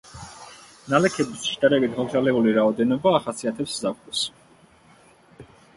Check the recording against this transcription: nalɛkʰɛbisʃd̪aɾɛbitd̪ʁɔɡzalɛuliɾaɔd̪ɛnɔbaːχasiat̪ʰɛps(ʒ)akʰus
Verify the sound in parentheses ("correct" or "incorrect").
incorrect